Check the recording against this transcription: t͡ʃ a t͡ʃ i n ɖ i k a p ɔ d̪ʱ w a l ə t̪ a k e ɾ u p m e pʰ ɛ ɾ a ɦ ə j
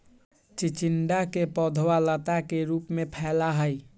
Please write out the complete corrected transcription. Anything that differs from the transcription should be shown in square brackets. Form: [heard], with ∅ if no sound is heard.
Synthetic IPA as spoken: t͡ʃ [i] t͡ʃ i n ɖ [a] k [e] p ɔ d̪ʱ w a l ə t̪ a k e ɾ u p m e pʰ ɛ [l] a ɦ ə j